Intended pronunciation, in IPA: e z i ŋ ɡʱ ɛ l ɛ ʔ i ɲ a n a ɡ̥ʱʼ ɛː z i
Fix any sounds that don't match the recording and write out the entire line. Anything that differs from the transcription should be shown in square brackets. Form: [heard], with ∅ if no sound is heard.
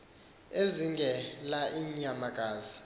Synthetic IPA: e z i ŋ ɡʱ ɛ l [a] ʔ i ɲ a [m] a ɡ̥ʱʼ [aː] z i